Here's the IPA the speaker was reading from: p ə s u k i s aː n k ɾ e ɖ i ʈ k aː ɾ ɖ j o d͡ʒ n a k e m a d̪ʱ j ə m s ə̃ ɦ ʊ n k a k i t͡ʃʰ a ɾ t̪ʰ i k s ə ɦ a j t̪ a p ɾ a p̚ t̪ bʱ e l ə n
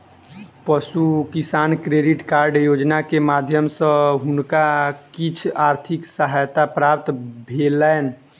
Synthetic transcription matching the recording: p ə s u k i s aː n k ɾ e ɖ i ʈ k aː ɾ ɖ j o d͡ʒ n a k e m a d̪ʱ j ə m s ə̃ ɦ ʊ n k a k i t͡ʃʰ a ɾ t̪ʰ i k s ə ɦ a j t̪ a p ɾ a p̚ t̪ bʱ e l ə n